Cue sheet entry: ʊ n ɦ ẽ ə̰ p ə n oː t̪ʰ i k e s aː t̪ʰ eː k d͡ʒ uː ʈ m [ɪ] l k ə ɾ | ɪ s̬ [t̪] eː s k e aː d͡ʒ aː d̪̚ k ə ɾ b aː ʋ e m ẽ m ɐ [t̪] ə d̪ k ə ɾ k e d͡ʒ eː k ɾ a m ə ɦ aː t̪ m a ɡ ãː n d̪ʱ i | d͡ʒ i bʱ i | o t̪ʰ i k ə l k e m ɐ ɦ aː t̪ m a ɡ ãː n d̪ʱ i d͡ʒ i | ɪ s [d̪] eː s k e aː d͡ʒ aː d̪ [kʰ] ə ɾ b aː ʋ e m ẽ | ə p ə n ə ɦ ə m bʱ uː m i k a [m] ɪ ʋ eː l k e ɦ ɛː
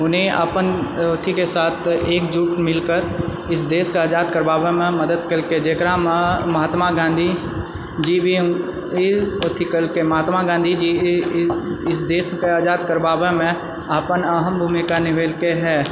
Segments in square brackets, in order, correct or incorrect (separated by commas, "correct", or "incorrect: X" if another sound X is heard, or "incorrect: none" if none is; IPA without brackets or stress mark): correct, incorrect: d̪, incorrect: d̪, correct, incorrect: k, incorrect: n